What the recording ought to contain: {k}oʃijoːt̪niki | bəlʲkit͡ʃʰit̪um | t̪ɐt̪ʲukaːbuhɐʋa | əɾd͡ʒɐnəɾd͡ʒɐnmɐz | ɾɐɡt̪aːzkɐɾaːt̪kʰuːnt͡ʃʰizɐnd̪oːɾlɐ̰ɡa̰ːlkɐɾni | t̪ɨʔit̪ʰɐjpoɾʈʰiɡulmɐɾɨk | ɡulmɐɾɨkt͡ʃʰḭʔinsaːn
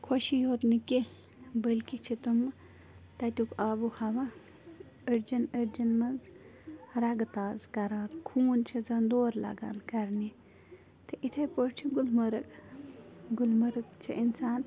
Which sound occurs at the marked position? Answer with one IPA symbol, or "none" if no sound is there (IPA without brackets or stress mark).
kʰ